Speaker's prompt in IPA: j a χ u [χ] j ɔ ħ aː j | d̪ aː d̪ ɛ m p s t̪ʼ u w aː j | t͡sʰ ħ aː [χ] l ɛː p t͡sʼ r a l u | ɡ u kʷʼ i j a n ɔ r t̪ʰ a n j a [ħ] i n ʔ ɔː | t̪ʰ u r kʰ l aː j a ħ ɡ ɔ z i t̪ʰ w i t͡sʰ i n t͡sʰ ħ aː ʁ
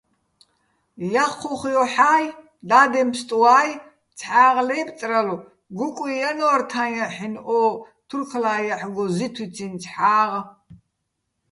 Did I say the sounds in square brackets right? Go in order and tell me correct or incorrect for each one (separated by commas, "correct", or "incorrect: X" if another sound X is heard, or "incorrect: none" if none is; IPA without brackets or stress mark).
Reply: correct, incorrect: ʁ, correct